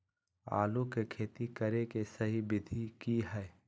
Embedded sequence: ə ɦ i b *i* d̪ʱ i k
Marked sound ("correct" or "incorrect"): incorrect